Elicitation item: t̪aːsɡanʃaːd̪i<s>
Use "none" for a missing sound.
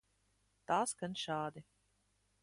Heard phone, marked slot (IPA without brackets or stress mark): none